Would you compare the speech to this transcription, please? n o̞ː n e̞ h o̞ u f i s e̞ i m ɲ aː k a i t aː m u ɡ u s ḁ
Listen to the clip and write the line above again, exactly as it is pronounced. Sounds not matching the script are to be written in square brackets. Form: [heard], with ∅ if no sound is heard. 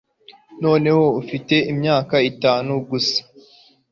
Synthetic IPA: n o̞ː n e̞ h o̞ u f i [t] e̞ i m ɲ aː k a i t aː [n] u ɡ u s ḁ